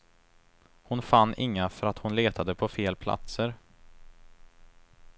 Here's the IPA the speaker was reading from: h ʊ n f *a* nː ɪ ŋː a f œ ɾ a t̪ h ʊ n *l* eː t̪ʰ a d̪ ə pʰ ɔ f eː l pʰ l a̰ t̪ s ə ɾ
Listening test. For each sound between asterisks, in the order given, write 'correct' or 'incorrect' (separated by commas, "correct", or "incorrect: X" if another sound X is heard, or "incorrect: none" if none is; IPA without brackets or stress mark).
correct, correct